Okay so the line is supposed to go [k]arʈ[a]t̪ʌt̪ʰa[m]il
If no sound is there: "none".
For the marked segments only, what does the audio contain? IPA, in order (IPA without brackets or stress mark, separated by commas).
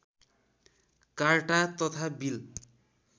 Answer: k, a, b